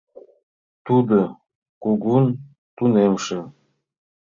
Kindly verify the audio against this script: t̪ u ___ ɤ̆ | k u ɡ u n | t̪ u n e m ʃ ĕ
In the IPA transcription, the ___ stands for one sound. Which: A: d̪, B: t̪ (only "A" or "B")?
A